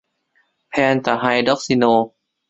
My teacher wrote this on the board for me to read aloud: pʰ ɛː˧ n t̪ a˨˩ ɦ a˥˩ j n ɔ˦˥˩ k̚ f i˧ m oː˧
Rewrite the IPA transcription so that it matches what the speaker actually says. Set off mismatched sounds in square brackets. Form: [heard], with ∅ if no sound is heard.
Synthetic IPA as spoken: pʰ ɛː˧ n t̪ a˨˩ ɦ [a˧] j [d] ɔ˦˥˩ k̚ [s] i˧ [n] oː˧